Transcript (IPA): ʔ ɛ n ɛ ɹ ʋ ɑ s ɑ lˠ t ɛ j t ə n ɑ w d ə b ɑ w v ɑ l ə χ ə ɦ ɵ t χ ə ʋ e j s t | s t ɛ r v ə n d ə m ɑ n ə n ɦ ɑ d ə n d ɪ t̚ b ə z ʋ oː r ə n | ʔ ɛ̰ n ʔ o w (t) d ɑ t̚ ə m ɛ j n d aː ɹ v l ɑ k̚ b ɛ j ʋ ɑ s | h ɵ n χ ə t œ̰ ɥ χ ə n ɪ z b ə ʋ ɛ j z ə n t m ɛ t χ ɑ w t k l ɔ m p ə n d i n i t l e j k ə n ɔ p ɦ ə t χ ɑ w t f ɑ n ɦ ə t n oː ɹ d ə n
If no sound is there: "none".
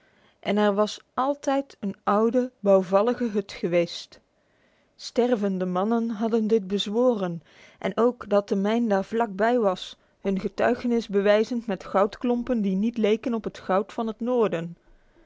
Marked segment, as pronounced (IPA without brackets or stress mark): k